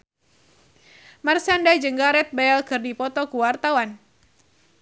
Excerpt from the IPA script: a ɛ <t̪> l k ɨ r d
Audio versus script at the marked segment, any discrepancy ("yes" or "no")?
yes